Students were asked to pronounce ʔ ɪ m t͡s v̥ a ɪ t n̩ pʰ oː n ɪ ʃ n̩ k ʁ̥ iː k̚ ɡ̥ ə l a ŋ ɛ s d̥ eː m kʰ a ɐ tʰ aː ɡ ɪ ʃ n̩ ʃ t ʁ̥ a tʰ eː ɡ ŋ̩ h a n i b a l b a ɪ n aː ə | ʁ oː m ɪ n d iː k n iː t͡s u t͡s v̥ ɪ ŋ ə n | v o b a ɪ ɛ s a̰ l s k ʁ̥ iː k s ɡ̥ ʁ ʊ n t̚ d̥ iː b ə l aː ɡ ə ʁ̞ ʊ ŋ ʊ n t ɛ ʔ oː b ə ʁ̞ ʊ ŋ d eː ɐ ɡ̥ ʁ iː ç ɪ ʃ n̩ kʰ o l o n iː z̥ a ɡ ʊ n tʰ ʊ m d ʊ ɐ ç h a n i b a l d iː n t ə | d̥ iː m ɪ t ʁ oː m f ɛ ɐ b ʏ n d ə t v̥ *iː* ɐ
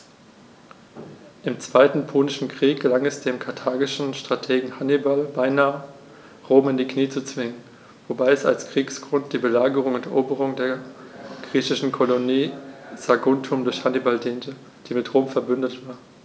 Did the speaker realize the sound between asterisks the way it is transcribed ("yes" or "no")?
no